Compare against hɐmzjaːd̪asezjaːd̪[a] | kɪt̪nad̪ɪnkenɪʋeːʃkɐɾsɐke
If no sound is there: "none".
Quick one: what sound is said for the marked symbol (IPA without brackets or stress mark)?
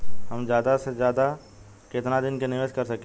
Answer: a